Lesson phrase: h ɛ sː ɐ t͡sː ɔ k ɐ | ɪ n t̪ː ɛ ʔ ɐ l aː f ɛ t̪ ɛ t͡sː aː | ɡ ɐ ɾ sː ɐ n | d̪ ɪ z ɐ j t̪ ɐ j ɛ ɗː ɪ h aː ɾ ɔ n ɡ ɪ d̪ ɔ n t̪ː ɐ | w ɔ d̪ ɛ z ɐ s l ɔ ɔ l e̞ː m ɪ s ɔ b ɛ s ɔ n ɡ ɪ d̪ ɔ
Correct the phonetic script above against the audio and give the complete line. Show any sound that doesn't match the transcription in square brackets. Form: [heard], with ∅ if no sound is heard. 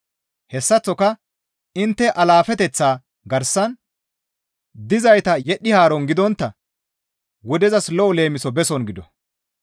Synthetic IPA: h ɛ sː ɐ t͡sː ɔ k ɐ | ɪ n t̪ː ɛ ʔ ɐ l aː f ɛ t̪ ɛ t͡sː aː | ɡ ɐ ɾ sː ɐ n | d̪ ɪ z ɐ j t̪ ɐ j ɛ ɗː ɪ h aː ɾ ɔ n ɡ ɪ d̪ ɔ n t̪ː ɐ | w ɔ d̪ ɛ z ɐ s l ɔ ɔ l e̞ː m ɪ s ɔ b ɛ s ɔ n ɡ ɪ d̪ ɔ

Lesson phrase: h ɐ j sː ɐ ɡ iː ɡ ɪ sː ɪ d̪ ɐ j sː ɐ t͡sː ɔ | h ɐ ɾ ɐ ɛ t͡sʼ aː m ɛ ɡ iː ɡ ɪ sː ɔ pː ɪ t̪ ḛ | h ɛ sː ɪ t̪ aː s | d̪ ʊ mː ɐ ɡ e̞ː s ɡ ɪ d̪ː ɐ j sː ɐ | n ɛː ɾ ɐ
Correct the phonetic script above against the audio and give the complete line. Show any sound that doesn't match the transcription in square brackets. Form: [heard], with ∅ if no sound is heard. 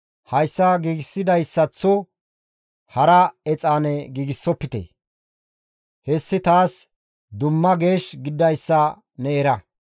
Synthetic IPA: h ɐ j sː ɐ ɡ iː ɡ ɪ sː ɪ d̪ ɐ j sː ɐ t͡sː ɔ | h ɐ ɾ ɐ ɛ t͡sʼ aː [n] ɛ ɡ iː ɡ ɪ sː ɔ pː ɪ t̪ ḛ | h ɛ sː ɪ t̪ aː s | d̪ ʊ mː ɐ ɡ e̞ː [ʃ] ɡ ɪ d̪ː ɐ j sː ɐ | n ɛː ɾ ɐ

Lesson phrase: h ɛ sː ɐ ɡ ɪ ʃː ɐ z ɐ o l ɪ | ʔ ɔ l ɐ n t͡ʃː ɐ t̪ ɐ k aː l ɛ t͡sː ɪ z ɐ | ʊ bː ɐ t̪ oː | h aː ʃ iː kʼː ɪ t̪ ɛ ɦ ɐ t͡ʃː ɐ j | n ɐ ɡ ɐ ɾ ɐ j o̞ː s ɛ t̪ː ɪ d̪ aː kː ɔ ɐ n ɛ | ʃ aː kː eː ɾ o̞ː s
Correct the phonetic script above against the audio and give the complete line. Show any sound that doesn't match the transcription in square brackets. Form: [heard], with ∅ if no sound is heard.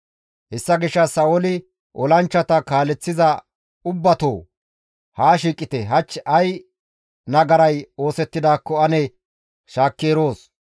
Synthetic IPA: h ɛ sː ɐ ɡ ɪ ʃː ɐ [s] ɐ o l ɪ | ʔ ɔ l ɐ n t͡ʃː ɐ t̪ ɐ k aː l ɛ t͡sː ɪ z ɐ | ʊ bː ɐ t̪ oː | h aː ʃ iː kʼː ɪ t̪ ɛ ɦ ɐ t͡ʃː ɐ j | n ɐ ɡ ɐ ɾ ɐ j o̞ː s ɛ t̪ː ɪ d̪ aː kː ɔ ɐ n ɛ | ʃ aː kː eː ɾ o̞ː s

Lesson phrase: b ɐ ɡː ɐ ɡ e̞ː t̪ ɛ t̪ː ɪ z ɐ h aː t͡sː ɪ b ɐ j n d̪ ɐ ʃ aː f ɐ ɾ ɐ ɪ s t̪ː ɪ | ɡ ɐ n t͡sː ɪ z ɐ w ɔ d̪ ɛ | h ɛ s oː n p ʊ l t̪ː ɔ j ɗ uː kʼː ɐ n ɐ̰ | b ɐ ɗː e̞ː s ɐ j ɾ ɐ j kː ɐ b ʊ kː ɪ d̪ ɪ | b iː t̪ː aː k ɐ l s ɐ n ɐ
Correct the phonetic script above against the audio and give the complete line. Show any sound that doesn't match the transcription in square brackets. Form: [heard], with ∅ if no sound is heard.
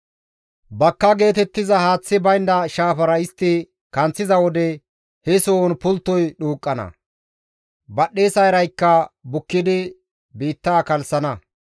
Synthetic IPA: b ɐ [kː] ɐ ɡ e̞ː t̪ ɛ t̪ː ɪ z ɐ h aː t͡sː ɪ b ɐ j n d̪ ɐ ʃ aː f ɐ ɾ ɐ ɪ s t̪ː ɪ | [k] ɐ n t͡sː ɪ z ɐ w ɔ d̪ ɛ | h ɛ s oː n p ʊ l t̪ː ɔ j ɗ uː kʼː ɐ n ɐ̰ | b ɐ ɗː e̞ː s ɐ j ɾ ɐ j kː ɐ b ʊ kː ɪ d̪ ɪ | b iː t̪ː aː k ɐ l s ɐ n ɐ

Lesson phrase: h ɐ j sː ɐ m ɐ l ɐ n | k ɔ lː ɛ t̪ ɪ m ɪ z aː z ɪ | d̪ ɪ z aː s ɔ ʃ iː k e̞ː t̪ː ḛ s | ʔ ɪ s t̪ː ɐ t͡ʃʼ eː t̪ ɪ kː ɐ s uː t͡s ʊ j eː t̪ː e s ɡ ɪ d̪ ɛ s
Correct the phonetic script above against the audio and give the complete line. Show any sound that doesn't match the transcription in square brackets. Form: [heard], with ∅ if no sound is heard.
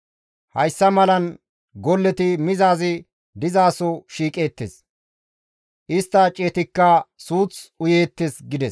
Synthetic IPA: h ɐ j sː ɐ m ɐ l ɐ n | [ɡ] ɔ lː ɛ t̪ ɪ m ɪ z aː z ɪ | d̪ ɪ z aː s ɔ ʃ iː [kʼ] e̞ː t̪ː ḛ s | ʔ ɪ s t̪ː ɐ t͡ʃʼ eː t̪ ɪ kː ɐ s uː t͡s ʊ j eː t̪ː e s ɡ ɪ d̪ ɛ s

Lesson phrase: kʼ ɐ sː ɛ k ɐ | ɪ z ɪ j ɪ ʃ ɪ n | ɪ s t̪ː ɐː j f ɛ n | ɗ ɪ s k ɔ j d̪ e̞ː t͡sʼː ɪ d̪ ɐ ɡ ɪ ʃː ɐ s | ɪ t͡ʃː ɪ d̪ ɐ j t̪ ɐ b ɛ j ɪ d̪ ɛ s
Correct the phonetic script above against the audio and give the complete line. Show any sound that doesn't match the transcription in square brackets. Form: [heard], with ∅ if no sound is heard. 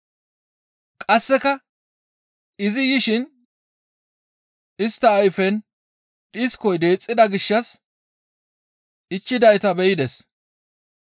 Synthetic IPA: kʼ ɐ sː ɛ k ɐ | ɪ z ɪ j ɪ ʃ ɪ n | ɪ s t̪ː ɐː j f ɛ n | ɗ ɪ s k ɔ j d̪ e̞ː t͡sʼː ɪ d̪ ɐ ɡ ɪ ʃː ɐ s | ɪ t͡ʃː ɪ d̪ ɐ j t̪ ɐ b ɛ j ɪ d̪ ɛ s

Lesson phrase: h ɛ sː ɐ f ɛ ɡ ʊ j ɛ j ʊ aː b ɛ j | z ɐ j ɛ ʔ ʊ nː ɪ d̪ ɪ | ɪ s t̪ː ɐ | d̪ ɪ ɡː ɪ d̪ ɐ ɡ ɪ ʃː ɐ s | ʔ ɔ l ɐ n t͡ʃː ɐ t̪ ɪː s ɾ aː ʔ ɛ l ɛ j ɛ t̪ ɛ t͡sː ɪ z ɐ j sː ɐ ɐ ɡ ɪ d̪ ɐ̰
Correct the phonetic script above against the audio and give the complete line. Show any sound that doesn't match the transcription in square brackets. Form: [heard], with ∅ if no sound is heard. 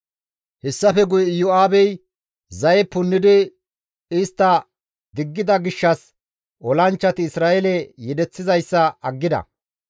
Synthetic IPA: h ɛ sː ɐ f ɛ ɡ ʊ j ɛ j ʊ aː b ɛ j | z ɐ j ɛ [p] ʊ nː ɪ d̪ ɪ | ɪ s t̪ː ɐ | d̪ ɪ ɡː ɪ d̪ ɐ ɡ ɪ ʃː ɐ s | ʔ ɔ l ɐ n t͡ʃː ɐ t̪ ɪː s ɾ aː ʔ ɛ l ɛ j ɛ [d̪] ɛ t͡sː ɪ z ɐ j sː ɐ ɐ [ɡː] ɪ d̪ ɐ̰

